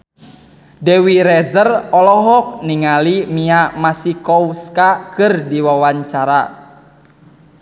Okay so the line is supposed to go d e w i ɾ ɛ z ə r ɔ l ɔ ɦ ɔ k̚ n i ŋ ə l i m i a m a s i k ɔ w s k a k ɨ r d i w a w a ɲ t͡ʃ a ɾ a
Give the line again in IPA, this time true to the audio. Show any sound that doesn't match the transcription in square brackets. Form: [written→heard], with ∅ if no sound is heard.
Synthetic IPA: d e w i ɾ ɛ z ə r ɔ l ɔ ɦ ɔ k̚ n i ŋ [ə→a] l i m i a m a s i k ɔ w s k a k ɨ r d i w a w a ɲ t͡ʃ a ɾ a